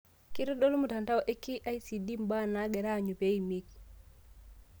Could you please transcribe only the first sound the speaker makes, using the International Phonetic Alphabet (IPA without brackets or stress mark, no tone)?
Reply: k